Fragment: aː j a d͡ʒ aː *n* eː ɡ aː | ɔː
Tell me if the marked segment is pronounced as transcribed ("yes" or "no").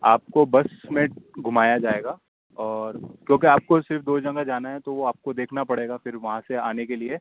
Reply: no